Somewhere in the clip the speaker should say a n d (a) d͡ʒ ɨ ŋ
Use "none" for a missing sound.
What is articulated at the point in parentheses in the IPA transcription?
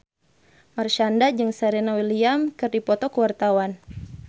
a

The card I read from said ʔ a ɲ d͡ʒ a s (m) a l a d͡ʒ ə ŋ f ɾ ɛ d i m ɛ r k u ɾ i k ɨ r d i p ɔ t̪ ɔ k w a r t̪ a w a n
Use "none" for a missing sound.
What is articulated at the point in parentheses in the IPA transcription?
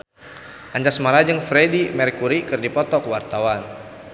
m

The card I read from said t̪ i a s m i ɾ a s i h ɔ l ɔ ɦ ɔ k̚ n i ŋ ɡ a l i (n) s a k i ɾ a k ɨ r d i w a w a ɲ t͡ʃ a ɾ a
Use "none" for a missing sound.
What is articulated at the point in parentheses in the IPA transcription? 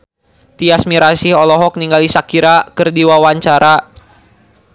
none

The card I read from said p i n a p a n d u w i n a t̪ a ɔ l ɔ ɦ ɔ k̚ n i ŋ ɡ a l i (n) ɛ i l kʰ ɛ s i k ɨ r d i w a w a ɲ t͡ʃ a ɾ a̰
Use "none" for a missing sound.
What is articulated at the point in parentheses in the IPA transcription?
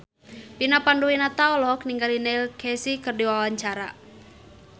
n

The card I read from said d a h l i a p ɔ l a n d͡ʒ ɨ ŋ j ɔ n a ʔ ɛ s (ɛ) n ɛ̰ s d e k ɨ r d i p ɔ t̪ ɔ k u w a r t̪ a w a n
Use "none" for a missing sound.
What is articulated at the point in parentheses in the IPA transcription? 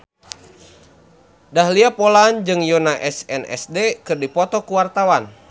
ɛ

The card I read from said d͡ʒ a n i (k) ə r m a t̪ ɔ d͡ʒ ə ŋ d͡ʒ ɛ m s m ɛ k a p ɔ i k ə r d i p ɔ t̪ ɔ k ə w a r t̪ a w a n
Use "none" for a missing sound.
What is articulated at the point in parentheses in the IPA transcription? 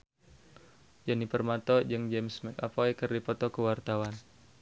p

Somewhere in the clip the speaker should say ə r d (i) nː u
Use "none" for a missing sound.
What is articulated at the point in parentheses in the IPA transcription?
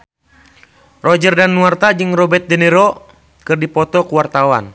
a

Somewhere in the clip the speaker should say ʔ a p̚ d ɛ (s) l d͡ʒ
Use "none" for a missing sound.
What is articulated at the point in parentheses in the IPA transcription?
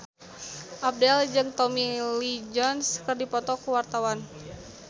none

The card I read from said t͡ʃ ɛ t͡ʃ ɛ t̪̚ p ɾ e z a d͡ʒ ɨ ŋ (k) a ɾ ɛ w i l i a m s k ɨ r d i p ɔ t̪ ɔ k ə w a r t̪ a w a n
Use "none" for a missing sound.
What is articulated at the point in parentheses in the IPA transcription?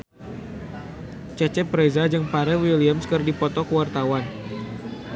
p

